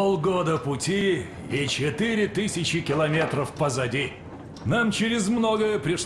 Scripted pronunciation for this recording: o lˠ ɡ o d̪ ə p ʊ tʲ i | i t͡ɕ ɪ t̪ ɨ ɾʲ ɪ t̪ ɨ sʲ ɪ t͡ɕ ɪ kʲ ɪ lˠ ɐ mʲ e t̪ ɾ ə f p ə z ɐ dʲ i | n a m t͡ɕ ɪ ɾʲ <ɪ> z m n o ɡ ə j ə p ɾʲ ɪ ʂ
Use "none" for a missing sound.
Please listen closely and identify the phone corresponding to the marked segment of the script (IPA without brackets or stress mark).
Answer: ɪ